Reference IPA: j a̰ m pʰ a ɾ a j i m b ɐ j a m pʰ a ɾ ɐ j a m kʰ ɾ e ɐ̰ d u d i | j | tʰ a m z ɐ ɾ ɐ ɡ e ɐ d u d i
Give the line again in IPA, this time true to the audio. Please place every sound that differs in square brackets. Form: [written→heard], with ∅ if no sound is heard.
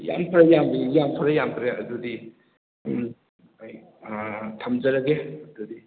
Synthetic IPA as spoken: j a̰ m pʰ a ɾ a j [i→a] m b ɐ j a m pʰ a ɾ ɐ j a m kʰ ɾ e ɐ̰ d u d i | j | tʰ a m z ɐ ɾ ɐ ɡ e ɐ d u d i